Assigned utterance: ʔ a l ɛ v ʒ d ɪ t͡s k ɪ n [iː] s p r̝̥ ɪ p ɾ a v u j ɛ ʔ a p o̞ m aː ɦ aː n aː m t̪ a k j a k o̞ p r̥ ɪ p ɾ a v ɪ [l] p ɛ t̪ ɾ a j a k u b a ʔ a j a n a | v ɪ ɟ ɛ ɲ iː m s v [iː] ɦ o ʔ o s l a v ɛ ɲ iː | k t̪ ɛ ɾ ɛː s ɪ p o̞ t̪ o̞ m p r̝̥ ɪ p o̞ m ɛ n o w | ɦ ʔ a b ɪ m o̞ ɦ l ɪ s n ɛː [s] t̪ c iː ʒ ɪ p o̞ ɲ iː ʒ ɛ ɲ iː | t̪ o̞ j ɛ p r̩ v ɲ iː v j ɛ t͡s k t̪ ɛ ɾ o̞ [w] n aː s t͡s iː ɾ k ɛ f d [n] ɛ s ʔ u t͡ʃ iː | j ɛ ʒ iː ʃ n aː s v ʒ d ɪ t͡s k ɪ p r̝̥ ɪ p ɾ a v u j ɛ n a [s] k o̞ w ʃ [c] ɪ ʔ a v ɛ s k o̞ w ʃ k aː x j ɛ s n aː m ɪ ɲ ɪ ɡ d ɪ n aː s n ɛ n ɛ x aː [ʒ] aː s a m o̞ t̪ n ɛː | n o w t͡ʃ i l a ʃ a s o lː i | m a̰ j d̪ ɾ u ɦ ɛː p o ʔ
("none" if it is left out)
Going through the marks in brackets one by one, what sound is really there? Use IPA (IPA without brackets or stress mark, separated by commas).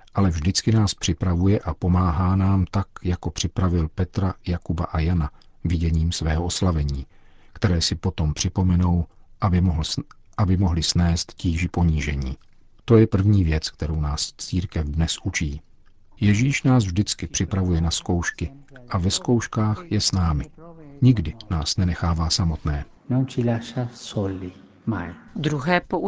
aː, l, ɛː, s, w, n, s, k, v